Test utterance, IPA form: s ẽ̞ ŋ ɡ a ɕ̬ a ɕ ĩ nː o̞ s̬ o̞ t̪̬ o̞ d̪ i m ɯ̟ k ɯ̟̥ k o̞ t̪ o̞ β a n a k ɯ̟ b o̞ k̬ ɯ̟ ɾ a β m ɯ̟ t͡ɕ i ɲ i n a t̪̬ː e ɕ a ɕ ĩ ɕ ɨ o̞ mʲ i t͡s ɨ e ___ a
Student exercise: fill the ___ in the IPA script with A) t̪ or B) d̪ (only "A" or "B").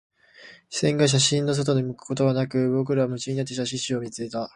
A